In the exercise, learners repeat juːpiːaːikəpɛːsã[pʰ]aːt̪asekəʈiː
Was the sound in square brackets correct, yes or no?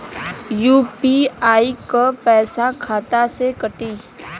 no